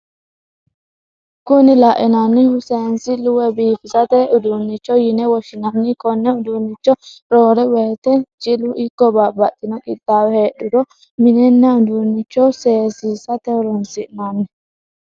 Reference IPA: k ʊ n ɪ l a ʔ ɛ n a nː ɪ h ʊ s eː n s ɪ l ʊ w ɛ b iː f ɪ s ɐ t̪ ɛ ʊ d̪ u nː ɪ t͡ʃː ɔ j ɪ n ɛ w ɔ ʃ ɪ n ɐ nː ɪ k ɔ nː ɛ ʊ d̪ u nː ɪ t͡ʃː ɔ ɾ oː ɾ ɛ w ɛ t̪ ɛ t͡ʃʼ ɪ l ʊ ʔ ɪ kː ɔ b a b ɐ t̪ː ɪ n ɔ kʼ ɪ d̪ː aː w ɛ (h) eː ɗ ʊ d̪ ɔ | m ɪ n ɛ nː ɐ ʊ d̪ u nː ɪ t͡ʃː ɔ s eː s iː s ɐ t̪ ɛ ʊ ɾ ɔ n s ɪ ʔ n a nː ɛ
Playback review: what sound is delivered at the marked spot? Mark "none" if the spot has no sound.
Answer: h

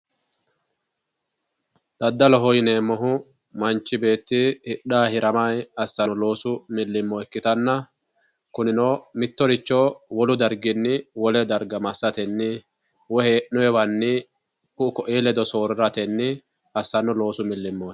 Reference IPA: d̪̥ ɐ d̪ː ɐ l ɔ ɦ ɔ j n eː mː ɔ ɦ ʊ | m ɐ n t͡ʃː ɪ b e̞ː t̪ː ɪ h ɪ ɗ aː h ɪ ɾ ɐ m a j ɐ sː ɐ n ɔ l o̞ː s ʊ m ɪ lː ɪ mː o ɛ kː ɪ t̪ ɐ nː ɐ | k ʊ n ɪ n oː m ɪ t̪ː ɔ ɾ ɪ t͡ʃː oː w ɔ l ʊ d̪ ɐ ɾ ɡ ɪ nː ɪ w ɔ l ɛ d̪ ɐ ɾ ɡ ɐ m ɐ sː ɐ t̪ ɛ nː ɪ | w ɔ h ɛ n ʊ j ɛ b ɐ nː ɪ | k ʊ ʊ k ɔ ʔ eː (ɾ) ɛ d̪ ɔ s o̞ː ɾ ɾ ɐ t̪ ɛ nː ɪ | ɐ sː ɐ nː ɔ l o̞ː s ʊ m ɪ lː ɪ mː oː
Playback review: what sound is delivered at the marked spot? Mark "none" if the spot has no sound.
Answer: l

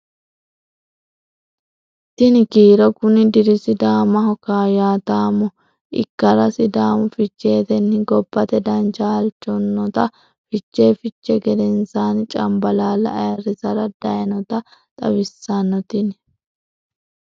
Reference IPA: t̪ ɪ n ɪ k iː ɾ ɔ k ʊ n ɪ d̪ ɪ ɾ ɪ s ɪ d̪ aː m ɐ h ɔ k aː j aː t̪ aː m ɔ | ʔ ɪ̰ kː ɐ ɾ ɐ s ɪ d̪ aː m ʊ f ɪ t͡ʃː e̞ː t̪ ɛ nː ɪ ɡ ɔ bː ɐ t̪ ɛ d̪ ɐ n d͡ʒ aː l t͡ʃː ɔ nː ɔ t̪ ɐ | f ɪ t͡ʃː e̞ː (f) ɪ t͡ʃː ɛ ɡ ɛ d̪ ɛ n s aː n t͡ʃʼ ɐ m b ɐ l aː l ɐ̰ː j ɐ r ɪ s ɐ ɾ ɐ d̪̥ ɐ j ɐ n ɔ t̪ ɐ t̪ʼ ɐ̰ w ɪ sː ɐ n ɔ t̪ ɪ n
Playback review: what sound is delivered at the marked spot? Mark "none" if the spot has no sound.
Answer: f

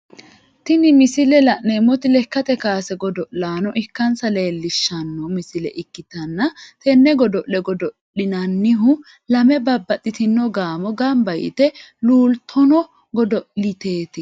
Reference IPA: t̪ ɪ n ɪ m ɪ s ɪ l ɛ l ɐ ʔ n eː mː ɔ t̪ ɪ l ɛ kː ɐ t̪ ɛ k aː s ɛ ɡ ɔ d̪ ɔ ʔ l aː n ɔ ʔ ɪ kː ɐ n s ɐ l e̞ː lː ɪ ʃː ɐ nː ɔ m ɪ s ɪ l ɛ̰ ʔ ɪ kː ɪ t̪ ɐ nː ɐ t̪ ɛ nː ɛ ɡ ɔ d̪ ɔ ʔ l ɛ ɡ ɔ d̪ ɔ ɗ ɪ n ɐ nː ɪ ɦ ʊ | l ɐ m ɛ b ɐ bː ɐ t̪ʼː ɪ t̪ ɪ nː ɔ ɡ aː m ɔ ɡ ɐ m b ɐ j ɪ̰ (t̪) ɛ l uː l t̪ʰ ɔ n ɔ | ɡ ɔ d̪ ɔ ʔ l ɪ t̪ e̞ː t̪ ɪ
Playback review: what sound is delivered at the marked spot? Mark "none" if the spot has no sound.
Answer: t̪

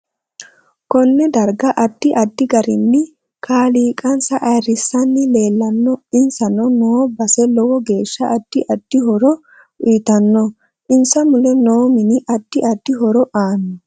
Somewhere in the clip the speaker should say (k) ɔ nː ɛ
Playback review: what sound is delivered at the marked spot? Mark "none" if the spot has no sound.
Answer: k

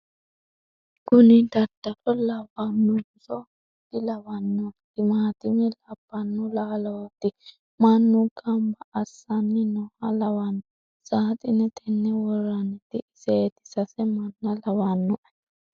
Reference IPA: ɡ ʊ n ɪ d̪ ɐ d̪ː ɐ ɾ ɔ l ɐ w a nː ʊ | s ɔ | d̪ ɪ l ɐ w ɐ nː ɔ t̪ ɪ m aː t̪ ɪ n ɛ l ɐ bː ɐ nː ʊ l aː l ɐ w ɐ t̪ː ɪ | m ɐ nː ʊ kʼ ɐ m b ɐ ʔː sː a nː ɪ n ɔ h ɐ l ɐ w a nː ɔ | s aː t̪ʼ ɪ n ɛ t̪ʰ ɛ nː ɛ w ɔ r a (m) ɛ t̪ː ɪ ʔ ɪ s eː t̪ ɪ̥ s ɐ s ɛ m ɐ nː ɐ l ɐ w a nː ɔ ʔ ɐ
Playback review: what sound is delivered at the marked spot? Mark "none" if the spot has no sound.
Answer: n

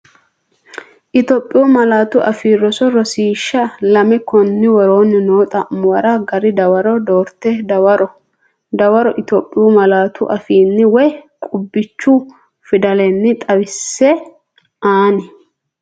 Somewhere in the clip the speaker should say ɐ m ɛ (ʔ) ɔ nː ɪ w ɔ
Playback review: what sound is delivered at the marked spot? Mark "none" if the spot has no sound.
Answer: k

